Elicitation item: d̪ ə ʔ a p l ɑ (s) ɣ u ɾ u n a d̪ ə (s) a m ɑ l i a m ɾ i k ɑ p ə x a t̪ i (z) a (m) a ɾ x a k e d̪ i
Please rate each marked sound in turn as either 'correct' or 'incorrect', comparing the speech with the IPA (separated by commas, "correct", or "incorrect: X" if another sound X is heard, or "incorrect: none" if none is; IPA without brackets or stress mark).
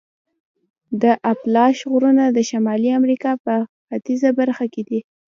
incorrect: ʃ, incorrect: ʃ, correct, incorrect: b